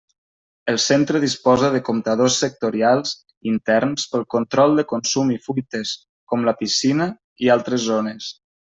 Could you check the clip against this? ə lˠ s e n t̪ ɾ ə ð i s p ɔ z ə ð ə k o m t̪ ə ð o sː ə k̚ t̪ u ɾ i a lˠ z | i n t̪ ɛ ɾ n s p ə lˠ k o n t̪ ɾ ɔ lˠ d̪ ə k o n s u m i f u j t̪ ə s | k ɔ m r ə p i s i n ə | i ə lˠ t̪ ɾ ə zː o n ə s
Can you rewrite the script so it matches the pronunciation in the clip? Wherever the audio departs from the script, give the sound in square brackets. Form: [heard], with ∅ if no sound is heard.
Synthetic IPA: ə lˠ s e n t̪ ɾ ə ð i s p ɔ z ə ð ə k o m t̪ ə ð o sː ə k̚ t̪ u ɾ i a lˠ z | i n t̪ ɛ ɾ n s p ə lˠ k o n t̪ ɾ ɔ lˠ d̪ ə k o n s u m i f u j t̪ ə s | k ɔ m [l] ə p i s i n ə | i [a] lˠ t̪ ɾ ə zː o n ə s